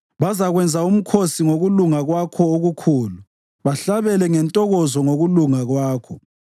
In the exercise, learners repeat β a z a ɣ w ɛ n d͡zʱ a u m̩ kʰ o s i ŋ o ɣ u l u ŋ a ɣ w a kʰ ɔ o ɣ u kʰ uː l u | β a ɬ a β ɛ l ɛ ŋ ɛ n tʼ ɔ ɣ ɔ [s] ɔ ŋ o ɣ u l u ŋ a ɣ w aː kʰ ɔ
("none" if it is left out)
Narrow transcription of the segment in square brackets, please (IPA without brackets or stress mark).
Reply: z